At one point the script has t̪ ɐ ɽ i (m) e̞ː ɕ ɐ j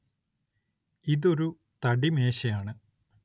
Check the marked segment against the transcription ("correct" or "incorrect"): correct